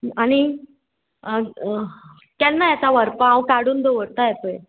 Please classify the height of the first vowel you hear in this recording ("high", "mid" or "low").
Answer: low